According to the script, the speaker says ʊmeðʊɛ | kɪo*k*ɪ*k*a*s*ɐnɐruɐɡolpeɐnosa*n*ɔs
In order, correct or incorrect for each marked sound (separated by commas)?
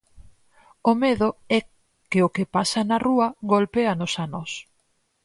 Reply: correct, incorrect, correct, correct